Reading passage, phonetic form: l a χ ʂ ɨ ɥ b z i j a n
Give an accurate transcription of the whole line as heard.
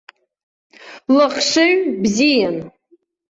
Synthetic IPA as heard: l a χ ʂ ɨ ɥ b z i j a n